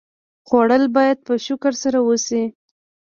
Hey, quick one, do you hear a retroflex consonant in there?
yes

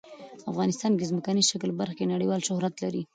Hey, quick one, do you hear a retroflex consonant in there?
yes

